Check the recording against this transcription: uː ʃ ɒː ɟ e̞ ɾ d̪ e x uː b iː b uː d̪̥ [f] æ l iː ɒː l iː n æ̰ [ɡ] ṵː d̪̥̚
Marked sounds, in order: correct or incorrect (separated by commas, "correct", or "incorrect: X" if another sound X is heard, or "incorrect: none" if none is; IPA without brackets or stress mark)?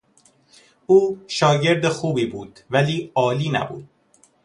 incorrect: v, incorrect: b